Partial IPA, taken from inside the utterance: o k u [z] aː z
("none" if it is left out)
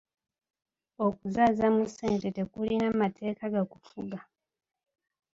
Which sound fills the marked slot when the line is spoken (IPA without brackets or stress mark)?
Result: z